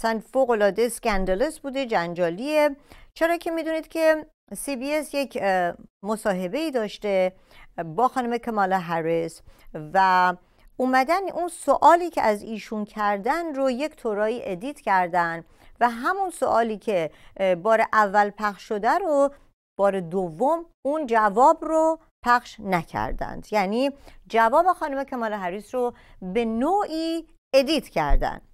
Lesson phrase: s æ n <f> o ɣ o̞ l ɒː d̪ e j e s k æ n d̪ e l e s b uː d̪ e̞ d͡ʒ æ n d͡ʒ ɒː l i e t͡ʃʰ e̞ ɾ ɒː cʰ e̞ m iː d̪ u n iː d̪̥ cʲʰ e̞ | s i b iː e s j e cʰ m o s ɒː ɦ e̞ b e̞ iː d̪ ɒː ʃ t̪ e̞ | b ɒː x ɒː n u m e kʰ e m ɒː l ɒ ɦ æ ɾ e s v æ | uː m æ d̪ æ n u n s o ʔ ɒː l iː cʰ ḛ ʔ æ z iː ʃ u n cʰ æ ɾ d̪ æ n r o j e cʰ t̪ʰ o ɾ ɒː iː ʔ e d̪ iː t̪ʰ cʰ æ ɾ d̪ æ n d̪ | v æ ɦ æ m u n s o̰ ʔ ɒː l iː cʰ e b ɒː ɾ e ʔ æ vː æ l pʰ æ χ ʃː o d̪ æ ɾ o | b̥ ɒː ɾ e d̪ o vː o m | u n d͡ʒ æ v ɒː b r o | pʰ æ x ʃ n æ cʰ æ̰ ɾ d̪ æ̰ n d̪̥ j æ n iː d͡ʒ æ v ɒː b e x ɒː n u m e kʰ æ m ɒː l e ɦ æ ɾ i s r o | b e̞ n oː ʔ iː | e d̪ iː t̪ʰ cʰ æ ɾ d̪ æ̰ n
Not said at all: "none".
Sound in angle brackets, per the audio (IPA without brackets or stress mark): f